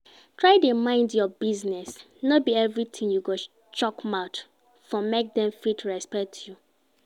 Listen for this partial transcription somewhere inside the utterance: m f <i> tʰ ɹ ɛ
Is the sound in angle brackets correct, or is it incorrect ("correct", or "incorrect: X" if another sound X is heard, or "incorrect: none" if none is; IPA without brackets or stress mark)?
correct